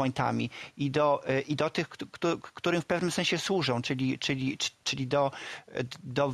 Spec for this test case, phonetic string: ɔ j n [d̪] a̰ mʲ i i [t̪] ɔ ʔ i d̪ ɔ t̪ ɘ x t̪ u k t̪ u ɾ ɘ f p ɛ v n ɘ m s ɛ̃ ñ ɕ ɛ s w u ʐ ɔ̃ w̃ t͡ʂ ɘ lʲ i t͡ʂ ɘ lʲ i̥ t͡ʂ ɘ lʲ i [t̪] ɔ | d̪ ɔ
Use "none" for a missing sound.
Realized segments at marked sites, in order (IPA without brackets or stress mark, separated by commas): t̪, d̪, d̪